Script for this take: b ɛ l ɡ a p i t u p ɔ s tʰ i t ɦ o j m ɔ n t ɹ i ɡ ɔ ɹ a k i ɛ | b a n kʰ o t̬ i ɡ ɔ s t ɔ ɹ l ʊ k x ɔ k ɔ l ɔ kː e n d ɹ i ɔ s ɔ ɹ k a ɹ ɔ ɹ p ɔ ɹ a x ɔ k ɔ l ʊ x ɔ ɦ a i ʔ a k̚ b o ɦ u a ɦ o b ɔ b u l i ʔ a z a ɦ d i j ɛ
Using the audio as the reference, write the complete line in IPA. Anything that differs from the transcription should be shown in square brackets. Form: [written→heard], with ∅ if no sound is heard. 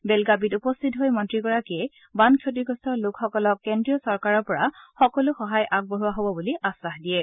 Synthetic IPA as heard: b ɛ l ɡ a [p→b] i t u p ɔ s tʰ i t ɦ o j m ɔ n t ɹ i ɡ ɔ ɹ a k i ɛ | b a n kʰ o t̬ i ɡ ɔ s t ɔ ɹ l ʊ k x ɔ k ɔ l ɔ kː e n d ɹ i ɔ s ɔ ɹ k a ɹ ɔ ɹ p ɔ ɹ a x ɔ k ɔ l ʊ x ɔ ɦ a [i→j] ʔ a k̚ b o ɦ u a ɦ o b ɔ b u l i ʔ a [z→s] a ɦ d i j ɛ